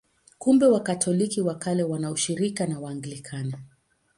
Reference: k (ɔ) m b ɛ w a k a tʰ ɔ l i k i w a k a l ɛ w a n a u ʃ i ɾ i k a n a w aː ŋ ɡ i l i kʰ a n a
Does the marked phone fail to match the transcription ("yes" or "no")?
yes